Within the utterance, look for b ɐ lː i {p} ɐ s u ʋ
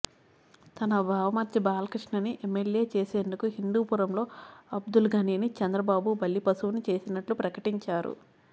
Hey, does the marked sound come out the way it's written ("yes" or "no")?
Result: yes